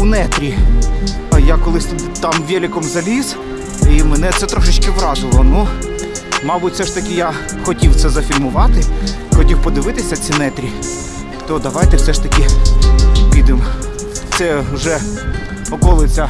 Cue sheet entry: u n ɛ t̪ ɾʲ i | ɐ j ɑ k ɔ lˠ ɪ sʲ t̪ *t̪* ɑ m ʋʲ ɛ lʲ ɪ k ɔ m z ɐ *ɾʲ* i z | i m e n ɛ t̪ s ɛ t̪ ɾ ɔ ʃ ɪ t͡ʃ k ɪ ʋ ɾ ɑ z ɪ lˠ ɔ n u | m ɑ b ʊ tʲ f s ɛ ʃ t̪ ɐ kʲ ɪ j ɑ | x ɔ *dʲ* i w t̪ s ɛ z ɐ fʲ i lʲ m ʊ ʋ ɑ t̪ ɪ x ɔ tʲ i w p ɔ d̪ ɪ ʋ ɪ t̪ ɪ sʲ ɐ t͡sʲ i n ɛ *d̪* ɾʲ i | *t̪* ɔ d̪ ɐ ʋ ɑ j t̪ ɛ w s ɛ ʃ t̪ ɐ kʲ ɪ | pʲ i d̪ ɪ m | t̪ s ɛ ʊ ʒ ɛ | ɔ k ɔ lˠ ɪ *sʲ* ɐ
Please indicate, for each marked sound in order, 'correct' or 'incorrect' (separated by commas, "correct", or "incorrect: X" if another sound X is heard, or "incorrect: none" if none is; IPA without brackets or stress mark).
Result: correct, incorrect: lʲ, incorrect: tʲ, incorrect: t̪, correct, incorrect: t͡sʲ